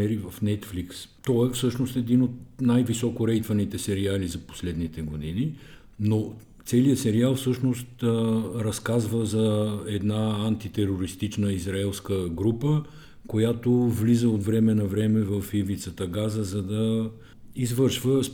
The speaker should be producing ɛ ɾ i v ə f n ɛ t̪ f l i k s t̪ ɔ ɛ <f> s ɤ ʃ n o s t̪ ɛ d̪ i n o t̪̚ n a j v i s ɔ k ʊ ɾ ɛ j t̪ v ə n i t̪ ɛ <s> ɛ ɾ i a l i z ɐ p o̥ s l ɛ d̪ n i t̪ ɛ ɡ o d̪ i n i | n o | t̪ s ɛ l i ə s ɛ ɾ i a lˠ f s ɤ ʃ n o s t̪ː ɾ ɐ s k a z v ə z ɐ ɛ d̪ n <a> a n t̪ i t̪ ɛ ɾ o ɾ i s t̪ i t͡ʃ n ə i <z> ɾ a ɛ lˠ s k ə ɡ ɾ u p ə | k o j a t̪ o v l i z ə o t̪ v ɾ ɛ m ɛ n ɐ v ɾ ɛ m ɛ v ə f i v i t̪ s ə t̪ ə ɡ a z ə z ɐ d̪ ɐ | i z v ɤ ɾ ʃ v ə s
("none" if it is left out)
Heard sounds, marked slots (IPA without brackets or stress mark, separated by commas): f, s, a, z